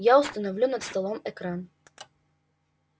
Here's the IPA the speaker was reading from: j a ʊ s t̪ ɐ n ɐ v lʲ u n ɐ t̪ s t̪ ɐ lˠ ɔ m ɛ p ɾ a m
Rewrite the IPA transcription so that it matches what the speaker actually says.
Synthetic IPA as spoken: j a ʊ s t̪ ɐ n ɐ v lʲ u n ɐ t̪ s t̪ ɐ lˠ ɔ m ɛ k ɾ a n